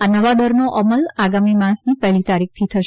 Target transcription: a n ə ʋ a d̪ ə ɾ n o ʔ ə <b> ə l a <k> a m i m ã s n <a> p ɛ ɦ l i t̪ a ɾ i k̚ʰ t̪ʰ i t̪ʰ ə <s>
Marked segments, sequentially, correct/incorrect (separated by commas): incorrect, incorrect, incorrect, incorrect